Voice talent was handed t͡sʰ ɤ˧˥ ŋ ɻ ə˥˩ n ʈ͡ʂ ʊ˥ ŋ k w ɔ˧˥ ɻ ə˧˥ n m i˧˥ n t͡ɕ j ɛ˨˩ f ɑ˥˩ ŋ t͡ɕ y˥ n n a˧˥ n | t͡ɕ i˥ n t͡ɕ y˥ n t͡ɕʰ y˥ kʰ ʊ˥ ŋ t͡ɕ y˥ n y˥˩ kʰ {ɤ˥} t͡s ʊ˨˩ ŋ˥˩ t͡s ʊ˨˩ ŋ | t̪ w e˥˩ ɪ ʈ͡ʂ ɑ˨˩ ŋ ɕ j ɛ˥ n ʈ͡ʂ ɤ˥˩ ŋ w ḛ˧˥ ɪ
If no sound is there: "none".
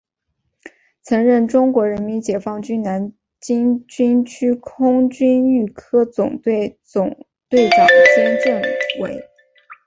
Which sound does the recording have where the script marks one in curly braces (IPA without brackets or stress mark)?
ɤ˥